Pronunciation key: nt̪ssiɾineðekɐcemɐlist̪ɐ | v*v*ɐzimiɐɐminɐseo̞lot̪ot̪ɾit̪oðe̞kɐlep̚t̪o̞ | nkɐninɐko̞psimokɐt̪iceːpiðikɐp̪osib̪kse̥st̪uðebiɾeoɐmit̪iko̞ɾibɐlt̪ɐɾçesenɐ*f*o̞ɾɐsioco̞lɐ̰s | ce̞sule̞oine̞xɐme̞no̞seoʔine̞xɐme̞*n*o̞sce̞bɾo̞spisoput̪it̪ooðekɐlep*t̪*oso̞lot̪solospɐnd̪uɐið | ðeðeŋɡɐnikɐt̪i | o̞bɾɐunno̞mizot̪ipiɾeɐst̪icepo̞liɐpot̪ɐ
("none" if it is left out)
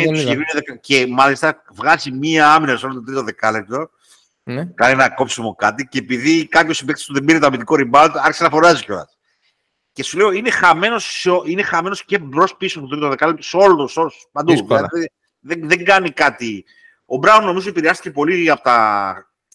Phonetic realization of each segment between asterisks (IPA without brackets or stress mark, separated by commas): ɣ, f, n, t̪